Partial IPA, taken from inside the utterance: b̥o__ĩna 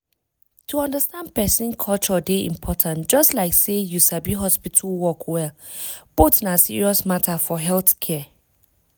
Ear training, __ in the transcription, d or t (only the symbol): t